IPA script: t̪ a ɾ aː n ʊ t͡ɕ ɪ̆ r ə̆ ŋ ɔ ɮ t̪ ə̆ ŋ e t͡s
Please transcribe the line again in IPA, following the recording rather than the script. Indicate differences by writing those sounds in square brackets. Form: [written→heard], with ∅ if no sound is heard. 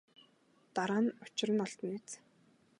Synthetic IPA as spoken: t̪ a ɾ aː n ʊ t͡ɕ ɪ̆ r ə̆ [ŋ→n] ɔ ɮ t̪ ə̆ [ŋ→n] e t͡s